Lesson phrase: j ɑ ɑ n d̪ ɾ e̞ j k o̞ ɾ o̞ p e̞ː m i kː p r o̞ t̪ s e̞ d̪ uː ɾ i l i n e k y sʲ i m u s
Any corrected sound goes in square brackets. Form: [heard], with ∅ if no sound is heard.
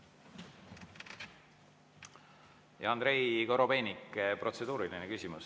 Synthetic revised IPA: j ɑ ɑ n d̪ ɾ e̞ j k o̞ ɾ o̞ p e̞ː [n] i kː p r o̞ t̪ s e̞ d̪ uː ɾ i l i n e k y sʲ i m u s